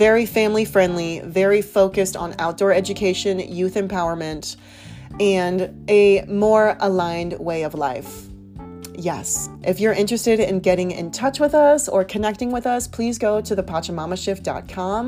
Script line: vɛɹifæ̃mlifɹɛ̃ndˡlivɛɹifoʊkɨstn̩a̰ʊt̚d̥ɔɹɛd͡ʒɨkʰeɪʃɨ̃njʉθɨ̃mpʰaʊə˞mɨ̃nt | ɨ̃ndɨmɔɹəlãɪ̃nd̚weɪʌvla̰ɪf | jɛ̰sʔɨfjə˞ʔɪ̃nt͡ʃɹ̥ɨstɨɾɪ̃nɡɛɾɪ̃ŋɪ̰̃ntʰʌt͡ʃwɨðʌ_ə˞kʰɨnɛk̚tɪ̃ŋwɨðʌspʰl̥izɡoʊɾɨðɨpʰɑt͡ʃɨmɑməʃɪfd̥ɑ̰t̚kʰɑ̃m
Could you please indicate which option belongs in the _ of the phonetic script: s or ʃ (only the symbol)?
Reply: s